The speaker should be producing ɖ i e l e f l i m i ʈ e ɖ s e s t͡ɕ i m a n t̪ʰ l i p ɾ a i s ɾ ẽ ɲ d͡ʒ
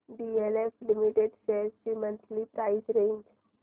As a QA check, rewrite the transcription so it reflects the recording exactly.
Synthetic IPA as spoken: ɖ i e l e f l i m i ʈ e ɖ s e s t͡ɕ i m ə n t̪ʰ l i p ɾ a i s ɾ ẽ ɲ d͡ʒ